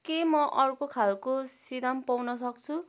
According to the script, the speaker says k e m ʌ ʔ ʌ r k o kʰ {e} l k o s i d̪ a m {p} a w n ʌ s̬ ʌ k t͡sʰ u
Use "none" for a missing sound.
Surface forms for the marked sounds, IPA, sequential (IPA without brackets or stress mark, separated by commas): a, p